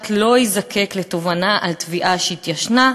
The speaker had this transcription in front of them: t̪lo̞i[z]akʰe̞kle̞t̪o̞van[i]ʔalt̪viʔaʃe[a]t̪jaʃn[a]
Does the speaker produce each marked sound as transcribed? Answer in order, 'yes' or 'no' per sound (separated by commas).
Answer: yes, no, no, yes